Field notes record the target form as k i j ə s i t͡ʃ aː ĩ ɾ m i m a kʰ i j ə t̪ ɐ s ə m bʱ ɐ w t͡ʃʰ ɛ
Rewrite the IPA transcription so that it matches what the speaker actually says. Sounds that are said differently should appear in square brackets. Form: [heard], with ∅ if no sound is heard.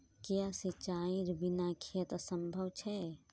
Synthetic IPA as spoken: k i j [a] s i t͡ʃ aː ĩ ɾ [b] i [n] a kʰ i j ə t̪ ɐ s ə m bʱ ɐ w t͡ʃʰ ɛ